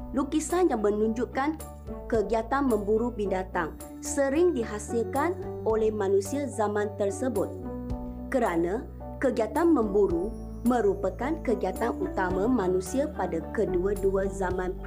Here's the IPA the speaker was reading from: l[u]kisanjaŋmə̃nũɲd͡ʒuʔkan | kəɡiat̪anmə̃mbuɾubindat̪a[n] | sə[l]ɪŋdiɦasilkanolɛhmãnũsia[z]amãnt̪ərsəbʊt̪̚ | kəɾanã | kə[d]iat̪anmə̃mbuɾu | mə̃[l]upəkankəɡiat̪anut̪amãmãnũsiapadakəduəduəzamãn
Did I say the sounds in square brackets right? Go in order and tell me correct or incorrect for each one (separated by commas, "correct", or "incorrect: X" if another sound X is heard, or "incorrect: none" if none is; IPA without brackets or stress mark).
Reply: correct, incorrect: ŋ, incorrect: ɾ, correct, incorrect: ɡ, incorrect: ɾ